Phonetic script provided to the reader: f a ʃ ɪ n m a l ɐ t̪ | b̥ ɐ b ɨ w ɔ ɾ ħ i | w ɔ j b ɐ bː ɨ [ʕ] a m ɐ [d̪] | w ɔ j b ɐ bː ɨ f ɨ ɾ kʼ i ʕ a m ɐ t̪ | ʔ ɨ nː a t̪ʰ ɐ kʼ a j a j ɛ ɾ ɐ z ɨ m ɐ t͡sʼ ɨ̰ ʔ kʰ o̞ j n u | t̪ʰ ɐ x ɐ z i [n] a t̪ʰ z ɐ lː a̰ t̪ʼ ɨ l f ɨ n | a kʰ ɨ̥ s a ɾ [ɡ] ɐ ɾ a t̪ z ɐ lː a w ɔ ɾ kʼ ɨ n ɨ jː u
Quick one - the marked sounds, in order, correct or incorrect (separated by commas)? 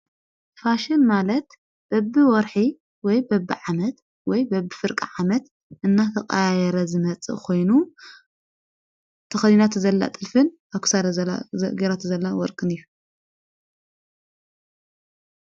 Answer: correct, incorrect, correct, correct